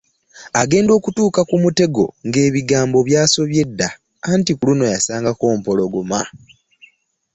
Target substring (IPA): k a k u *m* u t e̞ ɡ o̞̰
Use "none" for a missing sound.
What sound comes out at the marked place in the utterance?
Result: m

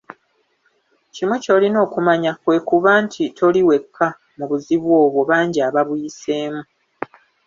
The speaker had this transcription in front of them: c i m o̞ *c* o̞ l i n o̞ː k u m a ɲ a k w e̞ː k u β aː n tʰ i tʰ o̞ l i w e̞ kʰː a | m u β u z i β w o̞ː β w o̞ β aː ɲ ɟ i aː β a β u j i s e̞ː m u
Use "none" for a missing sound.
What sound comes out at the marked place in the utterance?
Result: c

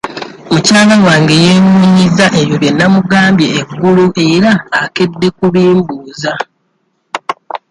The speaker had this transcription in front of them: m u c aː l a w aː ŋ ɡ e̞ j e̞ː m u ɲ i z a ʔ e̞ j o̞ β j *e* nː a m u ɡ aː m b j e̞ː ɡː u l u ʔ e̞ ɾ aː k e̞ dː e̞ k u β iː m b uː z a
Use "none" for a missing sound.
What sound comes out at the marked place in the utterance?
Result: e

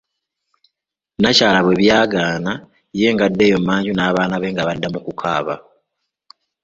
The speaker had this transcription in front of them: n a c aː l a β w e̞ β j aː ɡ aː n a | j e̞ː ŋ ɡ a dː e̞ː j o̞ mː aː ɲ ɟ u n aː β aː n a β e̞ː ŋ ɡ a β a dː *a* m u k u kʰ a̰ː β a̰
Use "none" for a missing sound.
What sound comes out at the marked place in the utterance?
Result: a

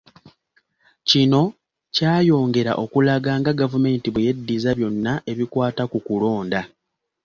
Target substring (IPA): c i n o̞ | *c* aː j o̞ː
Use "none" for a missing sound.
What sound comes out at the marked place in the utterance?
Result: c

